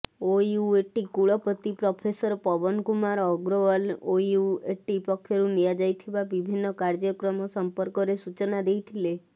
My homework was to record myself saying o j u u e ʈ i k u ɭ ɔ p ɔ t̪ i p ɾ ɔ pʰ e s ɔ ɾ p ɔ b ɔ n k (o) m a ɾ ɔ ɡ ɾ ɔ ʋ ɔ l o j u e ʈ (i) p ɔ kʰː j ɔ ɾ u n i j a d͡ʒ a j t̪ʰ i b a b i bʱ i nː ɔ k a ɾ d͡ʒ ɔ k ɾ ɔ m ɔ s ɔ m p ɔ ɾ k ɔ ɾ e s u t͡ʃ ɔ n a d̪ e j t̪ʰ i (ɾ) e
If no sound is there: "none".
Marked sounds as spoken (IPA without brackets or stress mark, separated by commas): u, i, l